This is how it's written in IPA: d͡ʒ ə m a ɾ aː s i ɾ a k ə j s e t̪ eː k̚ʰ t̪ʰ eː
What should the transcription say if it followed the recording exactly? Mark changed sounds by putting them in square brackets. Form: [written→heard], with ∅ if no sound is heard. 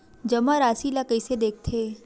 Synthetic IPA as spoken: d͡ʒ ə m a ɾ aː s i [ɾ→l] a k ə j s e [t̪→d̪] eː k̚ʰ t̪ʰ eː